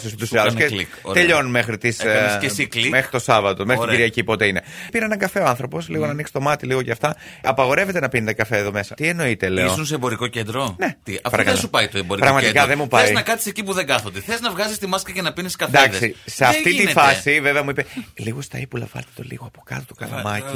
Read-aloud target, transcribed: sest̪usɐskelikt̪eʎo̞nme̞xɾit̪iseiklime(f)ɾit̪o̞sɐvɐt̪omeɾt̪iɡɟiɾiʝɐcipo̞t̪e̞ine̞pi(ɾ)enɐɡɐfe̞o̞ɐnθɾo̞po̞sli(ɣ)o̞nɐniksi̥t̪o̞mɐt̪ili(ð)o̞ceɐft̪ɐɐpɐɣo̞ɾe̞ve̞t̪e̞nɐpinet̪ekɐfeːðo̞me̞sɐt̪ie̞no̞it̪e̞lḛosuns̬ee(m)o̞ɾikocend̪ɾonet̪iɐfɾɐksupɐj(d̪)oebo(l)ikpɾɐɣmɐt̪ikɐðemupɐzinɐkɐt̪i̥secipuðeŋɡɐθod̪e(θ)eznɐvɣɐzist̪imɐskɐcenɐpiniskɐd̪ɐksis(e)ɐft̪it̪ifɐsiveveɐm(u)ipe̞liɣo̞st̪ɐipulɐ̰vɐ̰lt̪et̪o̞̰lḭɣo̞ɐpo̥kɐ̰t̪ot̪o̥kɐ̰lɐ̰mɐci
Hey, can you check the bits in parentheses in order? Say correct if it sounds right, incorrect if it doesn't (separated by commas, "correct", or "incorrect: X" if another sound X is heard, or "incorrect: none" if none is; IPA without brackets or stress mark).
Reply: incorrect: x, correct, correct, incorrect: ɣ, incorrect: b, incorrect: t̪, incorrect: ɾ, correct, correct, correct